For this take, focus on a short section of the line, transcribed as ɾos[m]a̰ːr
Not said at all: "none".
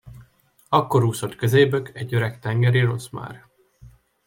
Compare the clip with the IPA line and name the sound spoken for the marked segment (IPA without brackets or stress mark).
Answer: m